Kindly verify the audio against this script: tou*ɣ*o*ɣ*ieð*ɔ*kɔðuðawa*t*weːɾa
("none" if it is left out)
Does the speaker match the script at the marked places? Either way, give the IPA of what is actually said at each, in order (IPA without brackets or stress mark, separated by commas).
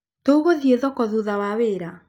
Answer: ɣ, ð, ɔ, none